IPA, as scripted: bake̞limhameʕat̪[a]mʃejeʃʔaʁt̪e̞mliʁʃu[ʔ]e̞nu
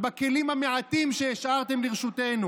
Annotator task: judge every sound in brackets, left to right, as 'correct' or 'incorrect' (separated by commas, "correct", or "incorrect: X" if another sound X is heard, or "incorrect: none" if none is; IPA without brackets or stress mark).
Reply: incorrect: i, incorrect: t